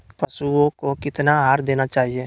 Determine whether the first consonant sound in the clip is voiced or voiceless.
voiceless